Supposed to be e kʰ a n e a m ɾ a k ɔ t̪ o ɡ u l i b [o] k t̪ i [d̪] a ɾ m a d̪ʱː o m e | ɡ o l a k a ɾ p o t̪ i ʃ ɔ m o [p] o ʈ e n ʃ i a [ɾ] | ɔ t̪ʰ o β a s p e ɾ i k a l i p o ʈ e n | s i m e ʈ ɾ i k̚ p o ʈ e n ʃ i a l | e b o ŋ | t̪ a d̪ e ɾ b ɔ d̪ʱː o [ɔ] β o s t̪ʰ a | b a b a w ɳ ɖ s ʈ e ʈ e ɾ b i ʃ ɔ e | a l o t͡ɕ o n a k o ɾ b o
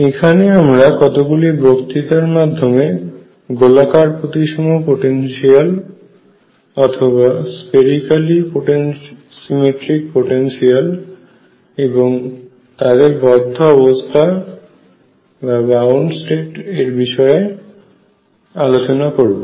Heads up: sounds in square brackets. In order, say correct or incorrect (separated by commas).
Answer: correct, incorrect, correct, incorrect, correct